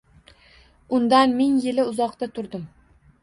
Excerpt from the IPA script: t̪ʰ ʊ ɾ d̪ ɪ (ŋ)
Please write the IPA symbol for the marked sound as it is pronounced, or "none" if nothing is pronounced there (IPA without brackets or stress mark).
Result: m